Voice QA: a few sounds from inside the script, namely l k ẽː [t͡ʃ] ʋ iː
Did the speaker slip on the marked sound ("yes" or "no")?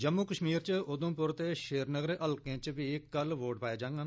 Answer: no